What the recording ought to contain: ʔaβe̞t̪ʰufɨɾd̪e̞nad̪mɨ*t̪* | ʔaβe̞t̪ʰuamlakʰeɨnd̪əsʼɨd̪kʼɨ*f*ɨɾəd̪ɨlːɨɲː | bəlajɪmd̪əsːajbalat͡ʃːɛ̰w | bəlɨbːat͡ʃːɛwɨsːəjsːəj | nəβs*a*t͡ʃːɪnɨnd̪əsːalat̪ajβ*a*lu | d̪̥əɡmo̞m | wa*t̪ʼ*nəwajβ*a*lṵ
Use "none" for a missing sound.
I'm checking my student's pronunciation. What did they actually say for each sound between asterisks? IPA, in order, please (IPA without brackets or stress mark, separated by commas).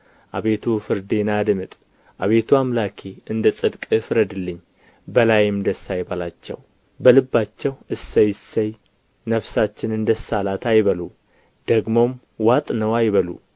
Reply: t̪ʼ, f, a, ə, t̪ʼ, ə